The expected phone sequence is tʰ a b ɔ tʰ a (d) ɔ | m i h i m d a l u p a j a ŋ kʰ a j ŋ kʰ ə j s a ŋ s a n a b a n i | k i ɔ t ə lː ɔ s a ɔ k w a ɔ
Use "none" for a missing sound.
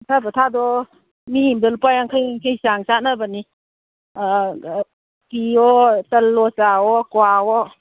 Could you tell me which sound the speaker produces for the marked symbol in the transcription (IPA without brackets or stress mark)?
d